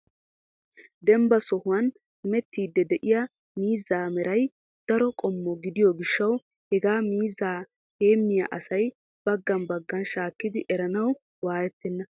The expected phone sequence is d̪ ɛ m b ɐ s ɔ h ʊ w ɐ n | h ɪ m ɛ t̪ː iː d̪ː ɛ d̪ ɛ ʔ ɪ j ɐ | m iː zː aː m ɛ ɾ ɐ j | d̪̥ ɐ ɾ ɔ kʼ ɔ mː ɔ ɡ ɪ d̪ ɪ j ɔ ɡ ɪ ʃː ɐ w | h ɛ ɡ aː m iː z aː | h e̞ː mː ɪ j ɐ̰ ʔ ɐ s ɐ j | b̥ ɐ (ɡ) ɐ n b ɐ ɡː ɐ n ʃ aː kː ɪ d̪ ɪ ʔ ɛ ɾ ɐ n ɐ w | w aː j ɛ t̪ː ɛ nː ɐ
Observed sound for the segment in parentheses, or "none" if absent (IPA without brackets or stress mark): ɡː